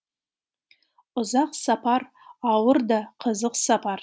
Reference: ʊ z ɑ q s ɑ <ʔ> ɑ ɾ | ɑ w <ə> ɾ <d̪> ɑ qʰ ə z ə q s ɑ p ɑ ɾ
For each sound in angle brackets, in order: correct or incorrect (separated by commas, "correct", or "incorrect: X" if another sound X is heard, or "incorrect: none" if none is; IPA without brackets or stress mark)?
incorrect: p, correct, correct